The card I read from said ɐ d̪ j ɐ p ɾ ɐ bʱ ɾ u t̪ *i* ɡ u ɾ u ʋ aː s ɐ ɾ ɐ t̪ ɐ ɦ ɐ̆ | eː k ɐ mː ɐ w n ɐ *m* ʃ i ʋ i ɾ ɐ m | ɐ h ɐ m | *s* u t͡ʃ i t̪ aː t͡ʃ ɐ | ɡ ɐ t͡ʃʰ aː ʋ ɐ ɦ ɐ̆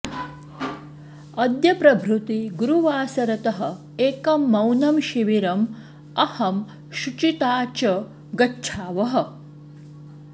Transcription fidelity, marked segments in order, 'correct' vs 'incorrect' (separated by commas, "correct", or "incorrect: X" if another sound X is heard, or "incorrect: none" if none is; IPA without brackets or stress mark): correct, correct, incorrect: ʃ